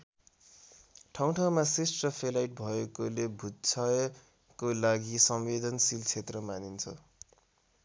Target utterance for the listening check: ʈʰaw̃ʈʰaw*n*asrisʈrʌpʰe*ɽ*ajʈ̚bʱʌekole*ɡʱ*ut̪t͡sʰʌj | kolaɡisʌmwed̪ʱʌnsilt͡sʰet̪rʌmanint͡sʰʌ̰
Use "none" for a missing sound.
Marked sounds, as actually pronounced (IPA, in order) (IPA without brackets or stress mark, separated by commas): m, l, bʱ